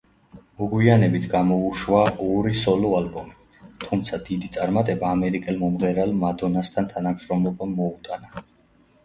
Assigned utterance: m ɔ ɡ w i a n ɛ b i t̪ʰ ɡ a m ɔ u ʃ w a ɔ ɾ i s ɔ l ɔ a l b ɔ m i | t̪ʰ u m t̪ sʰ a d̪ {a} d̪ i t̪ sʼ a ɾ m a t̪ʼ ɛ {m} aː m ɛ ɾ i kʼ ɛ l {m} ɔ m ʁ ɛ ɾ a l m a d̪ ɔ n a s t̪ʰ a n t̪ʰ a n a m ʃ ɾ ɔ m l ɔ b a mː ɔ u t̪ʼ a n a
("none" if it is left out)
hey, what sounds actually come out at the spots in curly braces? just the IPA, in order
i, b, m

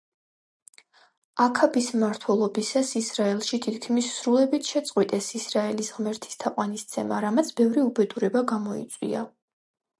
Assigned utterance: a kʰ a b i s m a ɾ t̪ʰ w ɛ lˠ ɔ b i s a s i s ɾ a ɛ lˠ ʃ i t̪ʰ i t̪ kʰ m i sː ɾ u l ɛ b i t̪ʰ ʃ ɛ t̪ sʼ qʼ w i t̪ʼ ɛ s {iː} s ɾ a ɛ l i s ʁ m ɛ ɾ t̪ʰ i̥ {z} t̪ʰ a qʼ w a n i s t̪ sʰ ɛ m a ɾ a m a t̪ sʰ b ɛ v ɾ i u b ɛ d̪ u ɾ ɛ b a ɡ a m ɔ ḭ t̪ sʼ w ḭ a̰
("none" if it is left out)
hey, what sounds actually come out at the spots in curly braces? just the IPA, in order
i, s

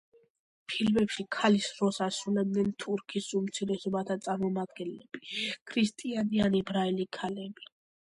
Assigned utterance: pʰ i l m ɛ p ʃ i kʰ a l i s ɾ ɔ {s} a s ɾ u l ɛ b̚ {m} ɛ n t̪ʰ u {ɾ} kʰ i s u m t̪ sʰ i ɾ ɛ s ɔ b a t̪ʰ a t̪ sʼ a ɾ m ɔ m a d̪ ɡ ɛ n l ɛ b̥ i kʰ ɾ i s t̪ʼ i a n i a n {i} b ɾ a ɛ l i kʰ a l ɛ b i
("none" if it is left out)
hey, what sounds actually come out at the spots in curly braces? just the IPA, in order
s, n, ɾ, i

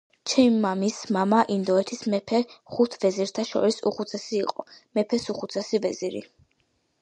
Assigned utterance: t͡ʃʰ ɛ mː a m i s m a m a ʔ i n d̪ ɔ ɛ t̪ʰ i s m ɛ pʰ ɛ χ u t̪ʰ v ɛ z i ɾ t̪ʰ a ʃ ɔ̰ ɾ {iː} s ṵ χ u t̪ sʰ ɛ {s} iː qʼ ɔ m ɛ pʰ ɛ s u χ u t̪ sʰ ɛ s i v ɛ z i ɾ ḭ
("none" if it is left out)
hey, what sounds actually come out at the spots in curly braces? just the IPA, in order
i, s

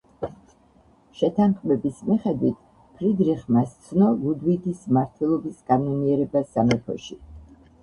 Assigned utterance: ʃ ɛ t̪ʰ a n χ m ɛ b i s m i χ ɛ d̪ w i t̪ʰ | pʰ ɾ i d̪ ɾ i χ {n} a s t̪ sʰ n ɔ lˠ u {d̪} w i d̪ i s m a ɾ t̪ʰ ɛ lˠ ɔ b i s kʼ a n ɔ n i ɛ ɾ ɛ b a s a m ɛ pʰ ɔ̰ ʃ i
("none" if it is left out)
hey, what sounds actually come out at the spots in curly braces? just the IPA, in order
m, d̪

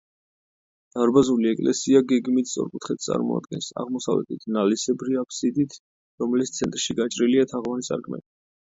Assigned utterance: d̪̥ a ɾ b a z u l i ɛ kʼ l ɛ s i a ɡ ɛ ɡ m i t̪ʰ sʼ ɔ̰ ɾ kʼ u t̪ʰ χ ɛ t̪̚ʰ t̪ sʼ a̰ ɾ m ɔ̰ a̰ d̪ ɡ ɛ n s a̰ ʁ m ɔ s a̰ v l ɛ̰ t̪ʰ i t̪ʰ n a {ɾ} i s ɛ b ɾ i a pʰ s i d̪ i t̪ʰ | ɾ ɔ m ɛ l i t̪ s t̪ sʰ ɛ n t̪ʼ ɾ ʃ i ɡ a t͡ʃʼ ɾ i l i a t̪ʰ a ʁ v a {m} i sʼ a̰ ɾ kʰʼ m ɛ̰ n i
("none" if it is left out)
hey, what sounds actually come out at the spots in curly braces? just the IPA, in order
l, n

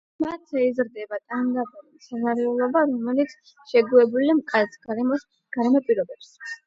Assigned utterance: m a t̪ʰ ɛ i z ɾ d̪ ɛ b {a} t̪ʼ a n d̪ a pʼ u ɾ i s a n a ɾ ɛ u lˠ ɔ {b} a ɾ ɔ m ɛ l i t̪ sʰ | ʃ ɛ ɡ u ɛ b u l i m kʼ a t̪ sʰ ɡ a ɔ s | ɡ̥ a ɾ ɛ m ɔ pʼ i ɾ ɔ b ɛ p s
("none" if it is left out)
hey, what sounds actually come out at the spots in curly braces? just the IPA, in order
a, b

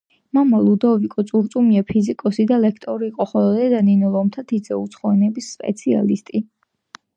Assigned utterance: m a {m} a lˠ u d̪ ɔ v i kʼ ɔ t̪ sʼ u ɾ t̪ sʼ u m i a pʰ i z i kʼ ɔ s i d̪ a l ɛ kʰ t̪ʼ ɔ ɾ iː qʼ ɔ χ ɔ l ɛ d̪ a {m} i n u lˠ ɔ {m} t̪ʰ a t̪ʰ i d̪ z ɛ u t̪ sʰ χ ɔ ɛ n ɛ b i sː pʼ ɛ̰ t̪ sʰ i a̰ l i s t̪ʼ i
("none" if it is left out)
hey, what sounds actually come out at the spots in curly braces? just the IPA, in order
m, n, m

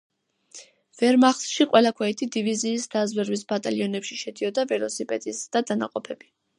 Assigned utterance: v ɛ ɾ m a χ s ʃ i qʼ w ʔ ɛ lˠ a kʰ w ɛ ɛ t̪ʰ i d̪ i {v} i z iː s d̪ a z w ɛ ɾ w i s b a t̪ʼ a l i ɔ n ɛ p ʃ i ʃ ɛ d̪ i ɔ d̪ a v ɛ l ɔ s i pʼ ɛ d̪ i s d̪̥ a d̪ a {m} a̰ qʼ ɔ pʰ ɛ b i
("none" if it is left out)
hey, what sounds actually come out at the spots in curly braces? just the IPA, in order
v, n

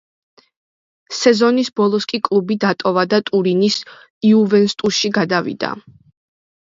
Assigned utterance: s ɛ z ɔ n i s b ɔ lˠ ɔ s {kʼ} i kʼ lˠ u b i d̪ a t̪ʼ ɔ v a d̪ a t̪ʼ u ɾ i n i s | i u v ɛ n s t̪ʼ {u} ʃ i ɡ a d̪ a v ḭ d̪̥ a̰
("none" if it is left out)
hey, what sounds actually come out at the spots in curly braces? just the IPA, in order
kʼ, u

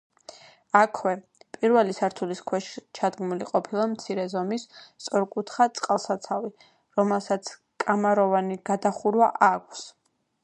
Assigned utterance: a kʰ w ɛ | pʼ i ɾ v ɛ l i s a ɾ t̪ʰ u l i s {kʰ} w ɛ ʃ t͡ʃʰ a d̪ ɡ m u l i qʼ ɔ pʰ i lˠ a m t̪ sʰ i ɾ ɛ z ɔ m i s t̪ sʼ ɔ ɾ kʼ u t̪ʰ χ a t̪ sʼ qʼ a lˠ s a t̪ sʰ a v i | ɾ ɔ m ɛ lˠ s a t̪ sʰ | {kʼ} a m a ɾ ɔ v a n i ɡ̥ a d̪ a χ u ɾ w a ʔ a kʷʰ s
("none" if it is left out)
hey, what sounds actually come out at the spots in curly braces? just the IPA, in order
kʰ, kʼ

